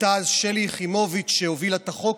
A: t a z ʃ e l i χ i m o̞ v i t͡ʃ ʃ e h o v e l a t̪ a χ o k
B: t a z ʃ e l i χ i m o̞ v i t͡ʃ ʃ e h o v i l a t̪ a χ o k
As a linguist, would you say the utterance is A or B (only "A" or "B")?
B